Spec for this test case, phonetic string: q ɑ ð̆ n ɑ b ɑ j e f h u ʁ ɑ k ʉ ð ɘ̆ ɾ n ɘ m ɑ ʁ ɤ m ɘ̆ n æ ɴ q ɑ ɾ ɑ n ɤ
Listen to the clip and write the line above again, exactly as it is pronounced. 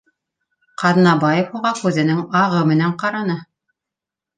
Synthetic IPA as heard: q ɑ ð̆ n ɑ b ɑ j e f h u ʁ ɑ k ʉ ð ɘ̆ n ɘ ŋ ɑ ʁ ɤ m ɘ̆ n æ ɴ q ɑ ɾ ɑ n ɤ